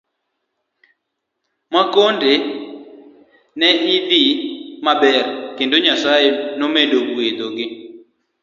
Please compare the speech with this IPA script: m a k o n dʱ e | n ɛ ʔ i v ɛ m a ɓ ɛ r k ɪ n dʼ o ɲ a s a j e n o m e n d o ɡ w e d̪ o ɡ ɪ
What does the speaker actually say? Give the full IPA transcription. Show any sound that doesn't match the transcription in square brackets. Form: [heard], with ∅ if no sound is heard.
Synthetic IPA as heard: m a k o n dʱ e | n ɛ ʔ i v [i] m a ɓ ɛ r k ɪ n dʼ o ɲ a s a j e n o m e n d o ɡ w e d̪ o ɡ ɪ